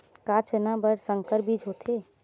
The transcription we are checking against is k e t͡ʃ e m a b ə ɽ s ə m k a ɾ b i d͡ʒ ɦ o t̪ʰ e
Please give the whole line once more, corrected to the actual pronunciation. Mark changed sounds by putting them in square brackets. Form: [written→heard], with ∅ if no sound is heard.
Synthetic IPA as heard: k [e→a] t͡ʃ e [m→n] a b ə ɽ s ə [m→ŋ] k [a→ə] ɾ b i d͡ʒ ɦ o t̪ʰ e